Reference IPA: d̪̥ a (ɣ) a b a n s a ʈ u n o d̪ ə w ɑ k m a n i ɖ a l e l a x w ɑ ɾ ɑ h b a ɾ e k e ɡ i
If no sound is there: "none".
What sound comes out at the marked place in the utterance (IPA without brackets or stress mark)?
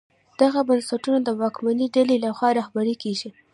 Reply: ɣ